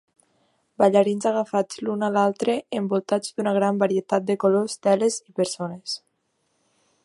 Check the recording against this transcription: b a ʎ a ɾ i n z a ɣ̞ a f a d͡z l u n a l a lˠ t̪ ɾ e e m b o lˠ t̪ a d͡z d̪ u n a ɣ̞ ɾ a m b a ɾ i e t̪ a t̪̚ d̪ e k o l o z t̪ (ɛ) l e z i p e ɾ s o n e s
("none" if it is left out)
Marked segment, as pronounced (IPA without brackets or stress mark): ɛ